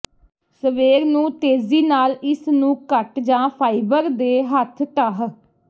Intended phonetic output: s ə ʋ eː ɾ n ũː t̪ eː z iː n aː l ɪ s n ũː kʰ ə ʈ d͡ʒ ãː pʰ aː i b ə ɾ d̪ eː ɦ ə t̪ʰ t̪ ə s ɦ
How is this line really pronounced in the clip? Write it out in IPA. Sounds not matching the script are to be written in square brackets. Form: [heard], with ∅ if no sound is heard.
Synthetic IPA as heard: s ə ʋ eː ɾ n ũː t̪ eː z iː n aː l ɪ s n ũː [k] ə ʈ d͡ʒ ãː pʰ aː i b ə ɾ d̪ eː ɦ ə t̪ʰ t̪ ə [∅] ɦ